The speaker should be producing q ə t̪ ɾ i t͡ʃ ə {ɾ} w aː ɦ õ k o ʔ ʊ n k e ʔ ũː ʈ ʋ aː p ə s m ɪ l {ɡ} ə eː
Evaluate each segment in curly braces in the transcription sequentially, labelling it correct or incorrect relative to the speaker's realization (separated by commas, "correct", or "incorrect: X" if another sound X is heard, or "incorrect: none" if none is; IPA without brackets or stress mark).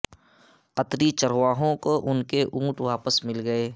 correct, correct